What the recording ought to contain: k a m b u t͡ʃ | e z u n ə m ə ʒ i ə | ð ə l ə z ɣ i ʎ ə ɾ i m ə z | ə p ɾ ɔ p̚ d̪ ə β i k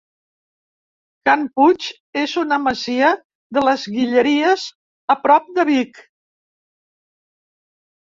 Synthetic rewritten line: k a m p u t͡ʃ | e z u n ə m ə z i ə | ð ə l ə z ɣ i ʎ ə ɾ i ə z | ə p ɾ ɔ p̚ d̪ ə β i k